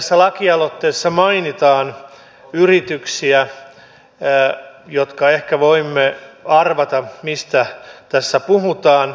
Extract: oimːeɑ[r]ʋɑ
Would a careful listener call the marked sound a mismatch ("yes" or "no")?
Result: no